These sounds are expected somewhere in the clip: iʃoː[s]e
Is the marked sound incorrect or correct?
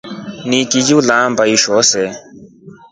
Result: correct